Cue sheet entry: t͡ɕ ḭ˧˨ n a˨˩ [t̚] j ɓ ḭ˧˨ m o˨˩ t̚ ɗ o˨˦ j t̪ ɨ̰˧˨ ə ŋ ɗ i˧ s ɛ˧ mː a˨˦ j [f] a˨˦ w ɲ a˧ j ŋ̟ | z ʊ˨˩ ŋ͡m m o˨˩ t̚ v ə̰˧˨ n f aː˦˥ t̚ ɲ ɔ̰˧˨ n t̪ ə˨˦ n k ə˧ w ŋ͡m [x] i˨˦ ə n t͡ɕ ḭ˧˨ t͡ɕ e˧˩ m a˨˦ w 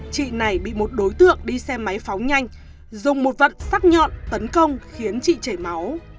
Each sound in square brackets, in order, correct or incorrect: incorrect: none, correct, correct

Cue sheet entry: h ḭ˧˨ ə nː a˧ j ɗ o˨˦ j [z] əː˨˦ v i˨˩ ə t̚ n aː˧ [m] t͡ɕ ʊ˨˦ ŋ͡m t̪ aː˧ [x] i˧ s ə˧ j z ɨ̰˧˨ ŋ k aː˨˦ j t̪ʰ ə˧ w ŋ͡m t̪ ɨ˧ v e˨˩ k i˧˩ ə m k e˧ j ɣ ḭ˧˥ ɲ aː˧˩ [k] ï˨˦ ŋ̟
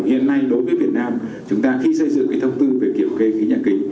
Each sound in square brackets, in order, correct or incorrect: incorrect: v, correct, correct, correct

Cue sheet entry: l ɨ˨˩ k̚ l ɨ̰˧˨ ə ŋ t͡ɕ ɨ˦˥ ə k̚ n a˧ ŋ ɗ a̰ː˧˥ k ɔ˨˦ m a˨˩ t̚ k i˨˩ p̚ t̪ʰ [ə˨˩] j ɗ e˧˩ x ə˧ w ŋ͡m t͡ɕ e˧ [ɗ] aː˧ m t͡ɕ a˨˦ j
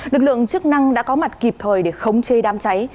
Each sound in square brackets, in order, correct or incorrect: incorrect: əː˨˩, correct

